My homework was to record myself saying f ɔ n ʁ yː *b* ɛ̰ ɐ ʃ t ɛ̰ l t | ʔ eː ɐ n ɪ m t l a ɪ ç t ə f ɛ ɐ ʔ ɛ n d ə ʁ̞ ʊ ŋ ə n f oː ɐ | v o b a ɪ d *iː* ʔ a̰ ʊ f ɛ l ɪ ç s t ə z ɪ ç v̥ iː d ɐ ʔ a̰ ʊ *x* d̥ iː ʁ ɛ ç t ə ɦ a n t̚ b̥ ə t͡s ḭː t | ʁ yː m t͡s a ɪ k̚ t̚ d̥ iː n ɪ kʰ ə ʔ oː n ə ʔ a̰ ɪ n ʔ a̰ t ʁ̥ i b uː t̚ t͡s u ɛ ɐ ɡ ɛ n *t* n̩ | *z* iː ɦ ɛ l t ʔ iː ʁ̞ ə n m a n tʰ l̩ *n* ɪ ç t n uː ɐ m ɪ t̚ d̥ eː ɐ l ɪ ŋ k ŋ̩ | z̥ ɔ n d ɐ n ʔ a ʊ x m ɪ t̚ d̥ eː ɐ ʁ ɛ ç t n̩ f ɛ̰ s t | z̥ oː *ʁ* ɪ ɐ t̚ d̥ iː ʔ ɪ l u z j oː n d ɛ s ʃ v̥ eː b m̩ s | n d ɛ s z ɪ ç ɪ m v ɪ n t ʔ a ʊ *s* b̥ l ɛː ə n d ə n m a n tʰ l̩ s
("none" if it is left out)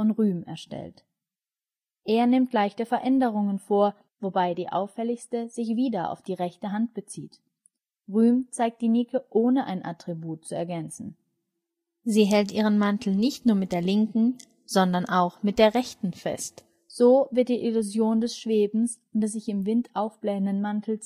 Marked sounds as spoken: m, iː, f, t͡s, z, n, v, f

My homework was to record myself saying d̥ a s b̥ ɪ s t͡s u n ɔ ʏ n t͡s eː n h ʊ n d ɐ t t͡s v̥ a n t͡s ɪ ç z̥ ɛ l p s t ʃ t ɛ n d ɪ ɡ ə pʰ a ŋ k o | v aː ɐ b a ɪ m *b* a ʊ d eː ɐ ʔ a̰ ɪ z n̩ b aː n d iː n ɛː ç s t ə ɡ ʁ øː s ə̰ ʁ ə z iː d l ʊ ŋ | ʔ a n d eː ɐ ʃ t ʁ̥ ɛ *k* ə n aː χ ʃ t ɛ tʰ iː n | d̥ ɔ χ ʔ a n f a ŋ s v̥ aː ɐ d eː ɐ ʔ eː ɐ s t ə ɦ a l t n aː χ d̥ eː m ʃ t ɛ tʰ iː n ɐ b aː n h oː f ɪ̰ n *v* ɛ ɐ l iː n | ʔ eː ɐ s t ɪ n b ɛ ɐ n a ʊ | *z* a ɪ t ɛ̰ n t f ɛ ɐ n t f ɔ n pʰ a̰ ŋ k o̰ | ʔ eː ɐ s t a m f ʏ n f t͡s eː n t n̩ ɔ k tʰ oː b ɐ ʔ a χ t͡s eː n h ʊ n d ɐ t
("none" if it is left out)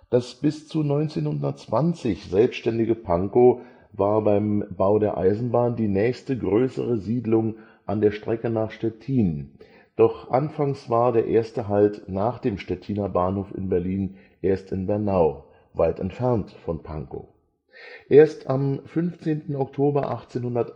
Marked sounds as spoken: b, k, b, v

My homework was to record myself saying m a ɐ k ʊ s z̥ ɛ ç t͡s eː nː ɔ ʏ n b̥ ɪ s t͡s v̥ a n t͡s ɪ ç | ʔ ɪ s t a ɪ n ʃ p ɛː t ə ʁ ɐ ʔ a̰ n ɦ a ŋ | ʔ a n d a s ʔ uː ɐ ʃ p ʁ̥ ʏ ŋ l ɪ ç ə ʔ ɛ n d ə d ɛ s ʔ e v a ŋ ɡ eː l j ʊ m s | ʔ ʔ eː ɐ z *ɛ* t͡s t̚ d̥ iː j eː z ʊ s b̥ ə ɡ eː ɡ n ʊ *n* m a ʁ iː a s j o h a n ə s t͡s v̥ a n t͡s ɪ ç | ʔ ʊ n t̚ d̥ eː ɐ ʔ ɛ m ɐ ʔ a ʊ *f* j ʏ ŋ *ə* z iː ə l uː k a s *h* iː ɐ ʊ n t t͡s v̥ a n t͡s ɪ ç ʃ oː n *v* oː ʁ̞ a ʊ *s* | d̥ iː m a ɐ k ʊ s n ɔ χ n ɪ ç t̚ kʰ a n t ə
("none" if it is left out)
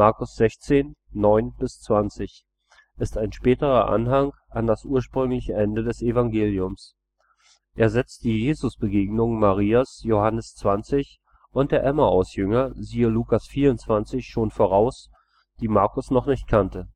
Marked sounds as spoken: ɛ, ŋ, s, ɐ, f, f, s

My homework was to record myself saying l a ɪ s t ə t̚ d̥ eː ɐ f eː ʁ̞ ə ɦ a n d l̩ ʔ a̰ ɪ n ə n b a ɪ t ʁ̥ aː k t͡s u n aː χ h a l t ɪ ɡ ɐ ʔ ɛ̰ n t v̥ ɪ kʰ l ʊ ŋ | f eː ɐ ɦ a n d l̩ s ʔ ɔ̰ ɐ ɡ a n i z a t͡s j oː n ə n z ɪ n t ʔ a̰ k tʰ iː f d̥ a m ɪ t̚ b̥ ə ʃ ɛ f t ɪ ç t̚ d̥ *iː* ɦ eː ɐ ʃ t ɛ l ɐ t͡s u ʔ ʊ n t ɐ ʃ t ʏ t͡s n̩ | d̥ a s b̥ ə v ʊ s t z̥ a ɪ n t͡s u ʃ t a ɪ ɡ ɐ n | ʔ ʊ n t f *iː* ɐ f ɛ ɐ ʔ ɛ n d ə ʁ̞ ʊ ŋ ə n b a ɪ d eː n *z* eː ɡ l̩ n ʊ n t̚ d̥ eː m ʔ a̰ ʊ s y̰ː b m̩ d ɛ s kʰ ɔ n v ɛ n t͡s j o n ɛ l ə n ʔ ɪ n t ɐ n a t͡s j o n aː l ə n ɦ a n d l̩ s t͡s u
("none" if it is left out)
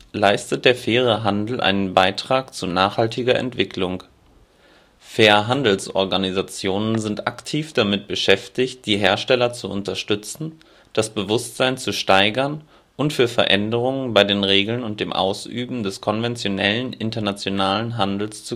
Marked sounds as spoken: iː, yː, ʁ

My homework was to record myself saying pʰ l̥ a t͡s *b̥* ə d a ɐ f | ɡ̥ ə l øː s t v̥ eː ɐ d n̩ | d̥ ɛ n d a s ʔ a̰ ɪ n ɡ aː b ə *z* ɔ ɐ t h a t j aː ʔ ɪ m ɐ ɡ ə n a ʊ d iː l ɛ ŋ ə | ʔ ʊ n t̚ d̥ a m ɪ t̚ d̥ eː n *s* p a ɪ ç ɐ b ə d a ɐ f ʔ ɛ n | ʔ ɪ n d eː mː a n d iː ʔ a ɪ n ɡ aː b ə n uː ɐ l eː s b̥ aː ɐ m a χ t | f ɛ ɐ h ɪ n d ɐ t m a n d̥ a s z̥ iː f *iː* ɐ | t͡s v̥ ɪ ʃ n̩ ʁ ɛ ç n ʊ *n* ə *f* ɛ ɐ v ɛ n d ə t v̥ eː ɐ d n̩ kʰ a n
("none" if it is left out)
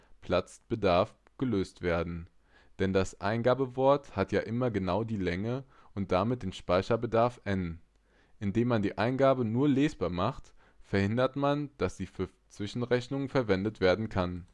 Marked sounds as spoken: b̥, v, ʃ, yː, ŋ, f

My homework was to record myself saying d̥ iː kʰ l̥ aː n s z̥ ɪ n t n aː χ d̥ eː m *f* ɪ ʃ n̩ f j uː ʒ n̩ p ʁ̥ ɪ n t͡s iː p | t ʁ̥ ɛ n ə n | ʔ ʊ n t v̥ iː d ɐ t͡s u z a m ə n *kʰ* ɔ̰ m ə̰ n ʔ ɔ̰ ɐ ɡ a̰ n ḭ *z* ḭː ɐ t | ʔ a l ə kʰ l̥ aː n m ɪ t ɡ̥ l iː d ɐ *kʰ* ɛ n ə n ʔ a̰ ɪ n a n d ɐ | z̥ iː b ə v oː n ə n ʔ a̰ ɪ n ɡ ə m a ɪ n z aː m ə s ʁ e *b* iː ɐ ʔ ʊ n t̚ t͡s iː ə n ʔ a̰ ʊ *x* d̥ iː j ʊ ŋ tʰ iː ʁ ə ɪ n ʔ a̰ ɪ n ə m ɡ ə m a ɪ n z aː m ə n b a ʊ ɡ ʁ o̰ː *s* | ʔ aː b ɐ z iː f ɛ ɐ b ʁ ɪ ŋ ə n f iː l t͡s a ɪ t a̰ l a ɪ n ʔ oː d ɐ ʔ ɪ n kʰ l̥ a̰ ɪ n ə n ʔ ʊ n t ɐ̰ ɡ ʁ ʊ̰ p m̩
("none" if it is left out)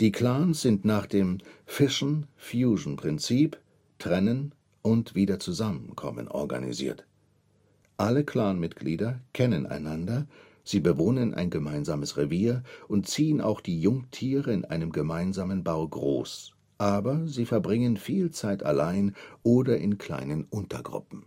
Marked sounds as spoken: f, kʰ, z, kʰ, v, x, s

